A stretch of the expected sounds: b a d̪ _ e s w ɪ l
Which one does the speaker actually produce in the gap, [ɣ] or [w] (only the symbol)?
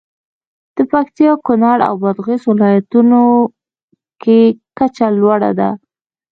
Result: ɣ